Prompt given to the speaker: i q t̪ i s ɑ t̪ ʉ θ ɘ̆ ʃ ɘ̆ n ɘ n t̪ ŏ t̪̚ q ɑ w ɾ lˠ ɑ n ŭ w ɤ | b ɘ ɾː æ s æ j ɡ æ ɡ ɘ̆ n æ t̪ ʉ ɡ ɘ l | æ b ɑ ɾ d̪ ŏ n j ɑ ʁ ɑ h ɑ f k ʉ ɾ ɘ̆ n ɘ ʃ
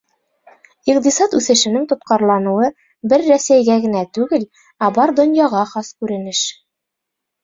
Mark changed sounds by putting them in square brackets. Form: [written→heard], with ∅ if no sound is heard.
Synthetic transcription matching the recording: i q t̪ i s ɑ t̪ ʉ θ ɘ̆ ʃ ɘ̆ n ɘ [n→ŋ] t̪ ŏ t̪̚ q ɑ [w→∅] ɾ lˠ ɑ n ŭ w ɤ | b ɘ ɾː æ s æ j ɡ æ ɡ ɘ̆ n æ t̪ ʉ ɡ ɘ l | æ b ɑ ɾ d̪ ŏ n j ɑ ʁ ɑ [h→χ] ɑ [f→s] k ʉ ɾ ɘ̆ n ɘ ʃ

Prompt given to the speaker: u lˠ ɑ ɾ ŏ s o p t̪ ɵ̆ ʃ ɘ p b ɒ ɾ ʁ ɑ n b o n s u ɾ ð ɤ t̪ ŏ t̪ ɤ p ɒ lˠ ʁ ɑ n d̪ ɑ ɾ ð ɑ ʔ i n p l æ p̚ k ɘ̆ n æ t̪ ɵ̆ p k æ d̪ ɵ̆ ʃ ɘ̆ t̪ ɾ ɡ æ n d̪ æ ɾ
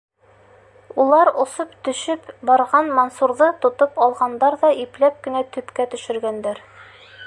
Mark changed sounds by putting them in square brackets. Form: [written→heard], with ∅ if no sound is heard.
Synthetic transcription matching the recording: u lˠ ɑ ɾ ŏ s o p t̪ ɵ̆ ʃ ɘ p b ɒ ɾ ʁ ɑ n [b→m] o n s u ɾ ð ɤ t̪ ŏ t̪ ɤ p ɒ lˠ ʁ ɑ n d̪ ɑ ɾ ð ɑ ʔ i [n→∅] p l æ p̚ k ɘ̆ n æ t̪ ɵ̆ p k æ [d̪→t̪] ɵ̆ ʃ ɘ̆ [t̪→∅] ɾ ɡ æ n d̪ æ ɾ

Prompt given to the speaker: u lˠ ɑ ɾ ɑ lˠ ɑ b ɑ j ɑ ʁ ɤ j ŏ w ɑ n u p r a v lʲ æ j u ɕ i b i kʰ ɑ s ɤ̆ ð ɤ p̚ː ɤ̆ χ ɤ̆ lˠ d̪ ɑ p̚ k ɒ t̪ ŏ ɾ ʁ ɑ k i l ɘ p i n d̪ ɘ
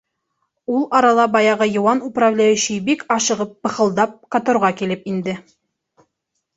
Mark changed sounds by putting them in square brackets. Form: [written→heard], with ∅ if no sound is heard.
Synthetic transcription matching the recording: u lˠ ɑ ɾ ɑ lˠ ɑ b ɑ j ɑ ʁ ɤ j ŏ w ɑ n u p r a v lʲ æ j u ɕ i b i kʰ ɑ [s→ʃ] ɤ̆ [ð→ʁ] ɤ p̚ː ɤ̆ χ ɤ̆ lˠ d̪ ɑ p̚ k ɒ t̪ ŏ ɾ ʁ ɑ k i l ɘ p i n d̪ ɘ

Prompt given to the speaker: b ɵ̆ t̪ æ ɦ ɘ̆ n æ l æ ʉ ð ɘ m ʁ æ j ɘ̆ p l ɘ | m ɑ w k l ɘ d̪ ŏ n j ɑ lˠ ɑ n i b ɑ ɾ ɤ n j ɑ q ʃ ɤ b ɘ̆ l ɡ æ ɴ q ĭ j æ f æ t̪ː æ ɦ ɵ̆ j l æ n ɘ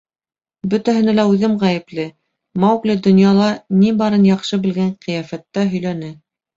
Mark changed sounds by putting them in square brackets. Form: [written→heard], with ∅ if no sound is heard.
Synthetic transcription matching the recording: b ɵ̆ t̪ æ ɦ ɘ̆ n æ l æ ʉ ð ɘ m ʁ æ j ɘ̆ p l ɘ | m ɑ w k l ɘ d̪ ŏ n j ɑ lˠ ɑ n i b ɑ ɾ ɤ n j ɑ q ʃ ɤ b ɘ̆ l ɡ æ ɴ q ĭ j æ f æ t̪ː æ ɦ ɵ̆ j l æ n ɘ

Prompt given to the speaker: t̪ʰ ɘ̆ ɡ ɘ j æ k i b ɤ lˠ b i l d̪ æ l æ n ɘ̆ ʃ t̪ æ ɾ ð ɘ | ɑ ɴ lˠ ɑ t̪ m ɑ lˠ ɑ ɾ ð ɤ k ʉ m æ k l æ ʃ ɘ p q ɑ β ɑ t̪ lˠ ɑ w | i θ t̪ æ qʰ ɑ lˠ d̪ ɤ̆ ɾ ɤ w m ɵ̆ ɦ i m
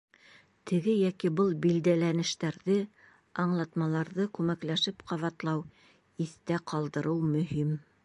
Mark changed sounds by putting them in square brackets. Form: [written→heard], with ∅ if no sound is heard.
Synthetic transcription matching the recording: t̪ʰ ɘ̆ ɡ ɘ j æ k i b ɤ lˠ b i l d̪ æ l æ n ɘ̆ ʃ t̪ æ ɾ ð ɘ | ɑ ɴ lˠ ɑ t̪ m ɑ lˠ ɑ ɾ ð ɤ k ʉ m æ k l æ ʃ ɘ p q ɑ β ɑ t̪ lˠ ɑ w | i θ t̪ æ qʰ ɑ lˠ d̪ ɤ̆ ɾ ɤ w m ɵ̆ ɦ i m

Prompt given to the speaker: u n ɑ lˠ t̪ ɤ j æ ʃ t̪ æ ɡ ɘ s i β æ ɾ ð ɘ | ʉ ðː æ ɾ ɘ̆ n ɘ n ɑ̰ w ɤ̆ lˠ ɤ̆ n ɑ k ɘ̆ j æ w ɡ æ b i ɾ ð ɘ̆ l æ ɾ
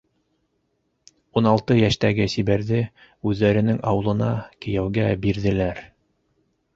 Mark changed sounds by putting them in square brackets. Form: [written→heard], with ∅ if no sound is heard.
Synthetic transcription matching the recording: u n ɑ lˠ t̪ ɤ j æ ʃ t̪ æ ɡ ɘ s i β æ ɾ ð ɘ | ʉ ðː æ ɾ ɘ̆ n ɘ [n→ŋ] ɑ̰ w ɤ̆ lˠ ɤ̆ n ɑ k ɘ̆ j æ w ɡ æ b i ɾ ð ɘ̆ l æ ɾ

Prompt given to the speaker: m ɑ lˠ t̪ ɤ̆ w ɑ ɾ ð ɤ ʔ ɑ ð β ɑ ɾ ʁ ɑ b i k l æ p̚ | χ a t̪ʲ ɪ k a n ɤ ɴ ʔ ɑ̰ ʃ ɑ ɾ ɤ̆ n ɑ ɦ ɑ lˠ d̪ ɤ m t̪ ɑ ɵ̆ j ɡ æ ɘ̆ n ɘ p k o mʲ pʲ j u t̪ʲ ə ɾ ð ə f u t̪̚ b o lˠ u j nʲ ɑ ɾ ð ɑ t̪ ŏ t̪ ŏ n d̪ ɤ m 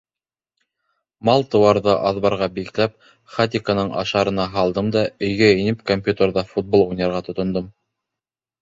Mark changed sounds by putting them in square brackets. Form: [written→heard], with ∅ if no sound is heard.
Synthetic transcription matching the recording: m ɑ lˠ t̪ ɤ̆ w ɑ ɾ ð ɤ ʔ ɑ ð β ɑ ɾ ʁ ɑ b i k l æ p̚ | χ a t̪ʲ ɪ k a n ɤ ɴ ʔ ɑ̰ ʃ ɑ ɾ ɤ̆ n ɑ ɦ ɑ lˠ d̪ ɤ m [t̪→d̪] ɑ ɵ̆ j ɡ æ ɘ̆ n ɘ p k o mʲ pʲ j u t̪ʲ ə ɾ ð [ə→ɑ] f u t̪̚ b o lˠ u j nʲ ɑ ɾ [ð→ʁ] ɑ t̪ ŏ t̪ ŏ n d̪ ɤ m

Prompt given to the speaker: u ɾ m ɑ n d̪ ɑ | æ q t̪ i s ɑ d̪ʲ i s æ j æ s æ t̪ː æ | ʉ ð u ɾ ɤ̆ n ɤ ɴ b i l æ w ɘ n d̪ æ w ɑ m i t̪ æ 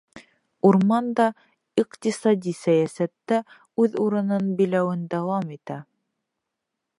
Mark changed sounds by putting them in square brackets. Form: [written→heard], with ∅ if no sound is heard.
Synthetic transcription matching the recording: u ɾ m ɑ n d̪ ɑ | [æ→i] q t̪ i s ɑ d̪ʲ i s æ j æ s æ t̪ː æ | ʉ ð u ɾ ɤ̆ n ɤ [ɴ→n] b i l æ w ɘ n d̪ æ w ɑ m i t̪ æ

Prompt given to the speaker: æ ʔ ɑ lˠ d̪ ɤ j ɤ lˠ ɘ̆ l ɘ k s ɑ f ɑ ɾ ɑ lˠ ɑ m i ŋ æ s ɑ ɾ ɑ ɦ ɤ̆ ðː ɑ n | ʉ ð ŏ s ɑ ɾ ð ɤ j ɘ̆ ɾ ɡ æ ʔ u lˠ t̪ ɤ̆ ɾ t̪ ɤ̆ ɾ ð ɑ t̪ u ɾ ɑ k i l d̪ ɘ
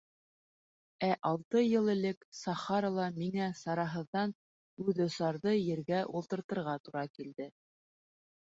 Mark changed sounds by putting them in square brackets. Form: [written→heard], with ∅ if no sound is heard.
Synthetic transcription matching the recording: æ ʔ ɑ lˠ [d̪→t̪] ɤ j ɤ lˠ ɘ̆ l ɘ k s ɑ [f→χ] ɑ ɾ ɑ lˠ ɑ m i ŋ æ s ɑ ɾ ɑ ɦ ɤ̆ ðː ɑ n | ʉ ð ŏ s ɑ ɾ ð ɤ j ɘ̆ ɾ ɡ æ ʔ u lˠ t̪ ɤ̆ ɾ t̪ ɤ̆ ɾ [ð→ʁ] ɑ t̪ u ɾ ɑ k i l d̪ ɘ

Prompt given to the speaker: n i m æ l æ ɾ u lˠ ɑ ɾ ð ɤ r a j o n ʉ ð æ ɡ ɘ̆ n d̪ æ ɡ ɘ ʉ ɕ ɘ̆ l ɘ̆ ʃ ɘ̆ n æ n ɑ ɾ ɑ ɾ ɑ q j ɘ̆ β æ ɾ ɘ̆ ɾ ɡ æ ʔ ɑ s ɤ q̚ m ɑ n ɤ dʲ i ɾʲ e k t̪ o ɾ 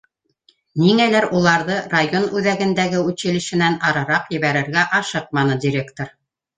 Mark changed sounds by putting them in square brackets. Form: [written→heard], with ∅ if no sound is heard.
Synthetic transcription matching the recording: n i [m→ŋ] æ l æ ɾ u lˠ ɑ ɾ ð ɤ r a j o n ʉ ð æ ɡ ɘ̆ n d̪ æ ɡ ɘ ʉ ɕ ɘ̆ l ɘ̆ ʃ ɘ̆ n æ n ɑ ɾ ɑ ɾ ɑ q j ɘ̆ β æ ɾ ɘ̆ ɾ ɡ æ ʔ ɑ [s→ʃ] ɤ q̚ m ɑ n ɤ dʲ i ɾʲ e k t̪ o ɾ

